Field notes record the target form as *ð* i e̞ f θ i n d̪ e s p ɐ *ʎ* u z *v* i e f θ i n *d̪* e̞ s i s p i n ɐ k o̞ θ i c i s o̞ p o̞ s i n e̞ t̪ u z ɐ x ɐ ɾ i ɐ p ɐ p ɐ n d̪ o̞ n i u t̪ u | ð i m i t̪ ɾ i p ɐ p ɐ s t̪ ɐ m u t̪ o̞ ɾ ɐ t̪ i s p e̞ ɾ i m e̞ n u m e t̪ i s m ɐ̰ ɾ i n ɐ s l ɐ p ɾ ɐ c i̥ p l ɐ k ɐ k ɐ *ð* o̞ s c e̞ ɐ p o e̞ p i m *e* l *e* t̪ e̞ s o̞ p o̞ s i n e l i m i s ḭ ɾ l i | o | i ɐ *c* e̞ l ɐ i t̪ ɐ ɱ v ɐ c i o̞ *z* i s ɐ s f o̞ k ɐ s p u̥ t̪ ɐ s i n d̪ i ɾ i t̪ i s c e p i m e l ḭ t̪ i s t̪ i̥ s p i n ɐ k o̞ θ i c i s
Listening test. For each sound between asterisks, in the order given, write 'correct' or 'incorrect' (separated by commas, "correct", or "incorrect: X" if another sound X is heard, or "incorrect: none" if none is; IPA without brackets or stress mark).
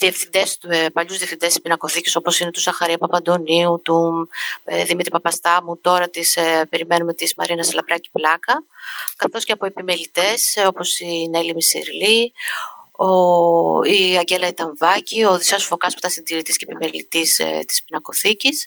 correct, correct, incorrect: ð, correct, incorrect: θ, correct, incorrect: i, incorrect: ɟ, incorrect: ð